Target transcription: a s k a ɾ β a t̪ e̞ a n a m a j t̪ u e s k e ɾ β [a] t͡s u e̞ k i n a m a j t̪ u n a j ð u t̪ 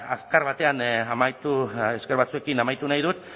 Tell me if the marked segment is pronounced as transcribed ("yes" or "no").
yes